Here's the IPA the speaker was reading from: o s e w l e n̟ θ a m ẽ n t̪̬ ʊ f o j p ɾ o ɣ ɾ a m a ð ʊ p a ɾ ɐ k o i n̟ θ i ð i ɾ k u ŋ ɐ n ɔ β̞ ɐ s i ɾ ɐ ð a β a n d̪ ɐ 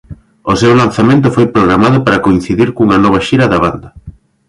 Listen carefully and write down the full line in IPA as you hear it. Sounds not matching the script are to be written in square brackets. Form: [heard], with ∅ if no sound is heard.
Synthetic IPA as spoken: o s e w l [a] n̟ θ a m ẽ n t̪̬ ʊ f o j p ɾ o ɣ ɾ a m a ð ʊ p a ɾ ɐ k o i n̟ θ i ð i ɾ k u ŋ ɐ n ɔ β̞ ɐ [ʃ] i ɾ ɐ ð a β a n d̪ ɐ